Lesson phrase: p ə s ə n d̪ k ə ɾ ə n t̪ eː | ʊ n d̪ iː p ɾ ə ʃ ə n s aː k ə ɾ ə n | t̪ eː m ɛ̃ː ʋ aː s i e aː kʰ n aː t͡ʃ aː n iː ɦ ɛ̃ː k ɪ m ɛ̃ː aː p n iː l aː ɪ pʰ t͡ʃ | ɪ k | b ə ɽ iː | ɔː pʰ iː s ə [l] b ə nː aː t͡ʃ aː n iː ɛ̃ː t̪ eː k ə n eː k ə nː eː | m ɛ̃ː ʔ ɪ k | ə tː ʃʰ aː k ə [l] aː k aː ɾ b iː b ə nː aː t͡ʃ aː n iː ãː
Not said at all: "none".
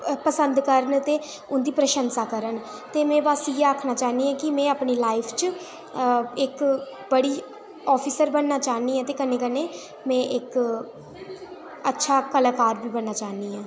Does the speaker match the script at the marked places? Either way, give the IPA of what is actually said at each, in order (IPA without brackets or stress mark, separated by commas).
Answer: ɾ, l